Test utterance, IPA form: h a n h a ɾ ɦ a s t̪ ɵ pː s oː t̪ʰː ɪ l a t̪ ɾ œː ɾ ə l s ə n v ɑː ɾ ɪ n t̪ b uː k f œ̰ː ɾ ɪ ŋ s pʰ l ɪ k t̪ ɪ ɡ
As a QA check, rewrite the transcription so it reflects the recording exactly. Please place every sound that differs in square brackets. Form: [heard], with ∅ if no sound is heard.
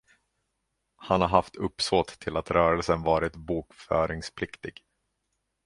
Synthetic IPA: h a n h a ɾ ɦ a [f] t̪ ɵ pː s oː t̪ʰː ɪ l a t̪ ɾ œː ɾ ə l s ə n v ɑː ɾ ɪ [∅] t̪ b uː k f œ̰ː ɾ ɪ ŋ s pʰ l ɪ k t̪ ɪ ɡ